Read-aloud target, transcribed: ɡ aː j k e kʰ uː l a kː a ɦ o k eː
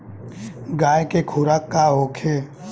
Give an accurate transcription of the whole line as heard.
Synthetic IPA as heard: ɡ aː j k e kʰ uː ɾ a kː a ɦ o kʰ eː

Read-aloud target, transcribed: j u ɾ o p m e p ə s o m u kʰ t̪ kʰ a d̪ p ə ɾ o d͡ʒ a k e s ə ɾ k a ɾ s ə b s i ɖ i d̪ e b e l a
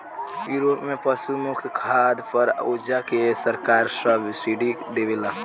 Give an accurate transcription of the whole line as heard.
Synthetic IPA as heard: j u ɾ o p m e p ə s u m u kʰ t̪ kʰ a d̪ p ə ɾ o d͡ʒ a k e s ə ɾ k a ɾ s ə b s i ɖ i d̪ e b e l a

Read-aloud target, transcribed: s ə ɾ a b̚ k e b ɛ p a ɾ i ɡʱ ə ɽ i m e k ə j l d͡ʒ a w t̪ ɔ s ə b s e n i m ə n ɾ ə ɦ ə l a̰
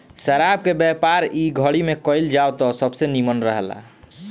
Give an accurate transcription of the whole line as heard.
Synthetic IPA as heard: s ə ɾ a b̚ k e b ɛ p a ɾ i ɡʱ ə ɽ i m e k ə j l d͡ʒ a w t̪ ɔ s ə b s e n i m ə n ɾ ə ɦ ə l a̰

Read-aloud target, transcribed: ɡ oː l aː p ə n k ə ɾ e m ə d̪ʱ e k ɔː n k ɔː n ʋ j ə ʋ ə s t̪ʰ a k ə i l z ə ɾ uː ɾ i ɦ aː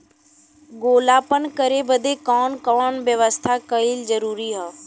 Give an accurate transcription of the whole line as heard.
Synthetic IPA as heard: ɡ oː l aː p ə n k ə ɾ e b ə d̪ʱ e k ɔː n k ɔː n ʋ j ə ʋ ə s t̪ʰ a k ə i l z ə ɾ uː ɾ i ɦ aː

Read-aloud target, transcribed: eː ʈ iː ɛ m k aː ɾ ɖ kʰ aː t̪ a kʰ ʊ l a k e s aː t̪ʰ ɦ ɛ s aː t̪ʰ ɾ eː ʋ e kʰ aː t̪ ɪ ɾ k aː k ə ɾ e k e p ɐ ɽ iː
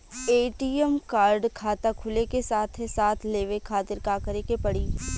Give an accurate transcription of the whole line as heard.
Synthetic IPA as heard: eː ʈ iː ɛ m k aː ɾ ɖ kʰ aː t̪ a kʰ ʊ l e k e s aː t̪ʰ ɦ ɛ s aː t̪ʰ l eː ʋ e kʰ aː t̪ ɪ ɾ k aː k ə ɾ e k e p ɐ ɽ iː

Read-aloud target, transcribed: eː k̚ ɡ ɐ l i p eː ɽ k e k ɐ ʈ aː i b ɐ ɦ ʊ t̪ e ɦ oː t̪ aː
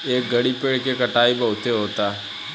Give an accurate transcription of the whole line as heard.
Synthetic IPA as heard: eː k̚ ɡ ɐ ɽ i p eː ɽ k e k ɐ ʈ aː i b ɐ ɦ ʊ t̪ e ɦ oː t̪ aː

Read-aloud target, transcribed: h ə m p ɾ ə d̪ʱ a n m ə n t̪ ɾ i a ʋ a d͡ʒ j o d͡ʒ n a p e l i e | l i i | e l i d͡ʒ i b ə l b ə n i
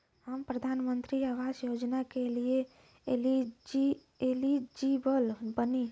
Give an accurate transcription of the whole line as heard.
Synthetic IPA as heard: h ə m p ɾ ə d̪ʱ a n m ə n t̪ ɾ i a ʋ a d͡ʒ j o d͡ʒ n a k e l i e | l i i | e l i d͡ʒ i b ə l b ə n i

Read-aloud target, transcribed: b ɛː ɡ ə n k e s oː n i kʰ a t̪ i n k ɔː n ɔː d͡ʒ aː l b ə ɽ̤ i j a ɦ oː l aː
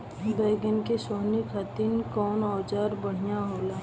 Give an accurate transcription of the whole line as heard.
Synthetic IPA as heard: b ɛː ɡ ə n k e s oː n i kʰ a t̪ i n k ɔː n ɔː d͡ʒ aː ɾ b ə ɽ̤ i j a ɦ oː l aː

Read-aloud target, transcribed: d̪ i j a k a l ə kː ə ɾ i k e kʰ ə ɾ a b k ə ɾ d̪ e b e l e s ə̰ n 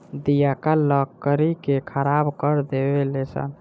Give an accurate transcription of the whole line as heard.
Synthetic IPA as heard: d̪ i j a k a l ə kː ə ɾ i k e kʰ ə ɾ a b k ə ɾ d̪ e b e l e s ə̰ n

